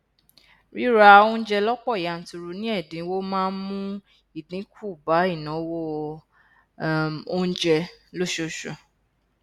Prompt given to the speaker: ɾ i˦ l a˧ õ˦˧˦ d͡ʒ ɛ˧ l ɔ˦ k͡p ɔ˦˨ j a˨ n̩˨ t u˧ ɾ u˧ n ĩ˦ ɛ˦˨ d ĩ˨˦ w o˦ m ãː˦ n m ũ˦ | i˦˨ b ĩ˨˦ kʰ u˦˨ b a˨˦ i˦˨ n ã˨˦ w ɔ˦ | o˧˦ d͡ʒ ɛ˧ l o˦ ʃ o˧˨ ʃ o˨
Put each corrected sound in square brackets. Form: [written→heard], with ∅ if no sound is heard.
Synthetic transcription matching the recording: ɾ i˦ [l→ɾ] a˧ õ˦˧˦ d͡ʒ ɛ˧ l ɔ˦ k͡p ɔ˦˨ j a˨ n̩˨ t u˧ ɾ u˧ n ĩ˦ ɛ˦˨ d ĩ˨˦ w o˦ m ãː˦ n m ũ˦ | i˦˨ [b→d] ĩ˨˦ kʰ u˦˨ b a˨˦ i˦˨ n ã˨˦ w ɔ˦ | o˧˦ d͡ʒ ɛ˧ l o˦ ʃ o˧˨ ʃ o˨

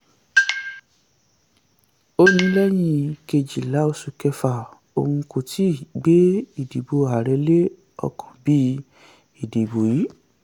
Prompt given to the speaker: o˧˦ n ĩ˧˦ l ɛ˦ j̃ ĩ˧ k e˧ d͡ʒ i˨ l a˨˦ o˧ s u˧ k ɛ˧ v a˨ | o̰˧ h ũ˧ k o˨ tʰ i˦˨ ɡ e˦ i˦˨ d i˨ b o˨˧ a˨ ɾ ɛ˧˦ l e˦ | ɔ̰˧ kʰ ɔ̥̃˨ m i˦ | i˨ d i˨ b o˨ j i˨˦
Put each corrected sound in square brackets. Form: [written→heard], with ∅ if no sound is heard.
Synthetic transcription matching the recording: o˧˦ n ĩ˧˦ l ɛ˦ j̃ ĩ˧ k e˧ d͡ʒ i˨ l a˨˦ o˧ s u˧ k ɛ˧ [v→f] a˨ | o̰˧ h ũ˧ k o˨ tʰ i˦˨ [ɡ→ɡ͡b] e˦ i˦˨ d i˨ b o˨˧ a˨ ɾ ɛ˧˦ l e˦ | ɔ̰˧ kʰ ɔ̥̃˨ [m→b] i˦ | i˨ d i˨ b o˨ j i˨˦

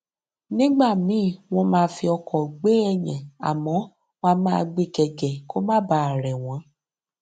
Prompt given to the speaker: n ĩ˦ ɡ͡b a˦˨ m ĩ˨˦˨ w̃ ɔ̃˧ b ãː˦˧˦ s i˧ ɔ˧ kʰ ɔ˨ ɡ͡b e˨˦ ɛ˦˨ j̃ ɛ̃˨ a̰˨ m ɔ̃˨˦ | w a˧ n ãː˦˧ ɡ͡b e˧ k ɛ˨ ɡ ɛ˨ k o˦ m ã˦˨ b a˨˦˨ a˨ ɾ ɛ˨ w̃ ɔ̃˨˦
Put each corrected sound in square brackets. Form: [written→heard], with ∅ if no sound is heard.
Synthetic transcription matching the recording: n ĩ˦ ɡ͡b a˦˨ m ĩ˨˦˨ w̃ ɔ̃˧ [b→m] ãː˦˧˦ [s→f] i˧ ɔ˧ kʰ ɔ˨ ɡ͡b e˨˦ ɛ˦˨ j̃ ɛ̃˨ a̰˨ m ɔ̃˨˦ | w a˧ [n→m] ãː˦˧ ɡ͡b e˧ k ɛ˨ ɡ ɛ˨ k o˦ m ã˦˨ b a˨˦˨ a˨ ɾ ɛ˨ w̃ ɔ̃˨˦

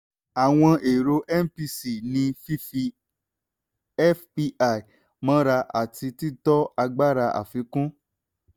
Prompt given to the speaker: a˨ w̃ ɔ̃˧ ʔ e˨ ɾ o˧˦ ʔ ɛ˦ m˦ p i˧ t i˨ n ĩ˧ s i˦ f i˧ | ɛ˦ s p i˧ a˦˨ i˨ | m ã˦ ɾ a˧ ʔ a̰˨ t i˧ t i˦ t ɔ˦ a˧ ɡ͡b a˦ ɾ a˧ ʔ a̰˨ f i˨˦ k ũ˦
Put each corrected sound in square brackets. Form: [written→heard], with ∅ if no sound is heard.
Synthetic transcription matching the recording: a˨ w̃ ɔ̃˧ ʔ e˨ ɾ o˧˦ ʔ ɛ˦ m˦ p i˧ [t→s] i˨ n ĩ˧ [s→f] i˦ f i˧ | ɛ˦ [s→f] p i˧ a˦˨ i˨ | m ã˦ ɾ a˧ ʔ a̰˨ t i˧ t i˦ t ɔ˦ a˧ ɡ͡b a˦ ɾ a˧ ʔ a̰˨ f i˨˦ k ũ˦

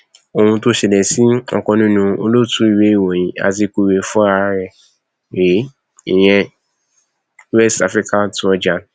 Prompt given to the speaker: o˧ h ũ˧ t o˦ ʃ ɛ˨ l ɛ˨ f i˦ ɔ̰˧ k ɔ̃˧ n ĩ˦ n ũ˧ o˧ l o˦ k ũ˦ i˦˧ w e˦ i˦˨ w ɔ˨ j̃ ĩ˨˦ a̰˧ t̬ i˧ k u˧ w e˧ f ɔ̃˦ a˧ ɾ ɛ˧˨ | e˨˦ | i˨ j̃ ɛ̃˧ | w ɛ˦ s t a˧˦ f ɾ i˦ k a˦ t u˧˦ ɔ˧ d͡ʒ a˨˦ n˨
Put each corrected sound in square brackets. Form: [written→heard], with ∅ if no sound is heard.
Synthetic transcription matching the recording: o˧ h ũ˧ t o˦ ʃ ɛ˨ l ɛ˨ [f→s] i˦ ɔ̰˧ k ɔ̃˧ n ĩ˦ n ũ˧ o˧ l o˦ [k→t] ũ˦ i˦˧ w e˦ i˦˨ w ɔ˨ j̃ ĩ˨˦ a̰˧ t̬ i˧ k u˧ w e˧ f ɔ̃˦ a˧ ɾ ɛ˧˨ | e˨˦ | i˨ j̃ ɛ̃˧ | w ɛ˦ s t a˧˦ f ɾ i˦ k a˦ t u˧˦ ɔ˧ d͡ʒ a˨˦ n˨

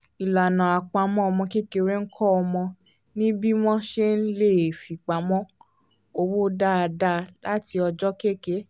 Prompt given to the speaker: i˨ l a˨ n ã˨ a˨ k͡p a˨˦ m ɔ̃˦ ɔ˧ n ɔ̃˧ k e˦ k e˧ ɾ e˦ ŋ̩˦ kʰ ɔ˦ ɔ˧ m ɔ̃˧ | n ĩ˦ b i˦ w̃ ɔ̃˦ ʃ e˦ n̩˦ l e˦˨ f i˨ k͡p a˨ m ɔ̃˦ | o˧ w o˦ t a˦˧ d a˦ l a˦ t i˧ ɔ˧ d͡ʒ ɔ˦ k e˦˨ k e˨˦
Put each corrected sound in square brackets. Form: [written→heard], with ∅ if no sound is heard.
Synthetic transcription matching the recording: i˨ l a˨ n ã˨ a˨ k͡p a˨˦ m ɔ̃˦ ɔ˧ [n→m] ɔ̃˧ k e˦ k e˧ ɾ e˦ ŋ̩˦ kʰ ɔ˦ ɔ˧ m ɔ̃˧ | n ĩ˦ b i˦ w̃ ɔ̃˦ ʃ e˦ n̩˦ l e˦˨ f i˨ k͡p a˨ m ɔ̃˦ | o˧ w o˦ [t→d] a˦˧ d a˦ l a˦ t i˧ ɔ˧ d͡ʒ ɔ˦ k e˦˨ k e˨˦

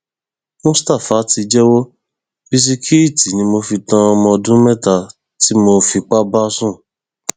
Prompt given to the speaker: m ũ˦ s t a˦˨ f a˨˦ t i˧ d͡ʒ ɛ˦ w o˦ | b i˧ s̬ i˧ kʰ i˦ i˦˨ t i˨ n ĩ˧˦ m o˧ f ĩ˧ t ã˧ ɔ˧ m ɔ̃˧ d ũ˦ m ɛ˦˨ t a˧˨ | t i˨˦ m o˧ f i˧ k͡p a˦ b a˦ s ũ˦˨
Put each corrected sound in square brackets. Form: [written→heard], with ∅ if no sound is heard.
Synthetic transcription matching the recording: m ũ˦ s t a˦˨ f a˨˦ t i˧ d͡ʒ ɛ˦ w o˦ | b i˧ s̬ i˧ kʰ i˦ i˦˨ t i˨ n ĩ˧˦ m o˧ f [ĩ˧→i˧] t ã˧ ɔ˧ m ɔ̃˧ d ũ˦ m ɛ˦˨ t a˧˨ | t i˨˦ m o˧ f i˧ k͡p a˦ b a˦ s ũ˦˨

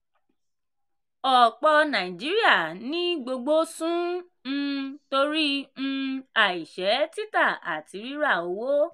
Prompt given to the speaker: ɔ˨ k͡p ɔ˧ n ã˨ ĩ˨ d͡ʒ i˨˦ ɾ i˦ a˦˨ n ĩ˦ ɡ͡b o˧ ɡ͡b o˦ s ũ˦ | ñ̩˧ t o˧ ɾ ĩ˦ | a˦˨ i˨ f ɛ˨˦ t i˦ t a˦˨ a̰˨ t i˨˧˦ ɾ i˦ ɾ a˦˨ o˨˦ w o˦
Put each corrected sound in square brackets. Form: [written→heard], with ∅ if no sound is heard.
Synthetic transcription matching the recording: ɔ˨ k͡p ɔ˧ n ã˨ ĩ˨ d͡ʒ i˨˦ ɾ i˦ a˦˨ n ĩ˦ ɡ͡b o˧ ɡ͡b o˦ s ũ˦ | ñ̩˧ t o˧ ɾ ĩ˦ | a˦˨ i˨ [f→ʃ] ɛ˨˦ t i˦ t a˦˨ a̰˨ t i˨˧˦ ɾ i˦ ɾ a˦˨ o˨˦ w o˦

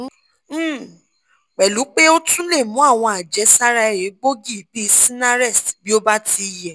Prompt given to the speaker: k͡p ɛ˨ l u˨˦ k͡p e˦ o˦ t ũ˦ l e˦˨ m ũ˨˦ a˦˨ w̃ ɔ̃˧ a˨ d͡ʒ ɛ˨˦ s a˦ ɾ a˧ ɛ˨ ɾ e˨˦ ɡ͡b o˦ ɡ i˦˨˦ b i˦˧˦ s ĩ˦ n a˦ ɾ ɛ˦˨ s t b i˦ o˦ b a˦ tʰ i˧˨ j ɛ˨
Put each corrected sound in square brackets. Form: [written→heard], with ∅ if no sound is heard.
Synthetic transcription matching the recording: k͡p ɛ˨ l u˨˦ k͡p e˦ o˦ t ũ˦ l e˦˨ m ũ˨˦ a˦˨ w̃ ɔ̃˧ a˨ d͡ʒ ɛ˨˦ s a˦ ɾ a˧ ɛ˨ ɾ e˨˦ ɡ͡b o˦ ɡ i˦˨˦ b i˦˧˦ s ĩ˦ n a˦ ɾ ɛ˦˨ s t b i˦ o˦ b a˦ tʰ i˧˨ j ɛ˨

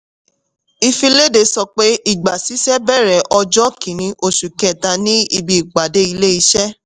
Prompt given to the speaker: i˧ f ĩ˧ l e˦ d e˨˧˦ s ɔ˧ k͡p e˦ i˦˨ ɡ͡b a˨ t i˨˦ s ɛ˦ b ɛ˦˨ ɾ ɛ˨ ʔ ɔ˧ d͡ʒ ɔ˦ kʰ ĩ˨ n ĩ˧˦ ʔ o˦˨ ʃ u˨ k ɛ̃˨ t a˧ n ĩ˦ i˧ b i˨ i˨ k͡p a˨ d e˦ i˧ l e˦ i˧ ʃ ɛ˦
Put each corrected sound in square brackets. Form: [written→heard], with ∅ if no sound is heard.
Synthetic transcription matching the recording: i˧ f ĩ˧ l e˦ d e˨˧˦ s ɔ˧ k͡p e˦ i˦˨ ɡ͡b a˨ [t→s] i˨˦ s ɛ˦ b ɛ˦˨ ɾ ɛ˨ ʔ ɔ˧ d͡ʒ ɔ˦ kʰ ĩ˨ n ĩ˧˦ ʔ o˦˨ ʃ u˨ k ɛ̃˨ t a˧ n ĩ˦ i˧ b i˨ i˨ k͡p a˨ d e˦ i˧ l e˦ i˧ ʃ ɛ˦

